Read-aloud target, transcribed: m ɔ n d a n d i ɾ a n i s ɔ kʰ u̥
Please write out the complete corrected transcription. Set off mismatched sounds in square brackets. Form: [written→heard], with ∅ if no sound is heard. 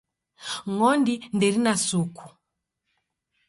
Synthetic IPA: [m→ŋ] ɔ n d [a→i] n d [i→ɛ] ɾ [a→i] n [i→a] s [ɔ→u] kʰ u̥